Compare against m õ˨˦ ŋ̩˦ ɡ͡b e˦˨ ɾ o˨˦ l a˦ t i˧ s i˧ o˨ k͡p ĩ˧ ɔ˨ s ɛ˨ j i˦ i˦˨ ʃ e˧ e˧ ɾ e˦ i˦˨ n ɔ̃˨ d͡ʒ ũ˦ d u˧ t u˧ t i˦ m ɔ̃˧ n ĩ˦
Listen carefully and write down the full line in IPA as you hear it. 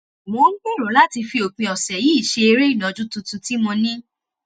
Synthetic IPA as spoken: m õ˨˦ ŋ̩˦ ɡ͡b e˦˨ ɾ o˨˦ l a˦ t i˧ f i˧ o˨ k͡p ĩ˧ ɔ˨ s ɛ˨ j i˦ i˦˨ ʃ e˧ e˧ ɾ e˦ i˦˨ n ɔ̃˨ d͡ʒ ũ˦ t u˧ t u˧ t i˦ m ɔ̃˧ n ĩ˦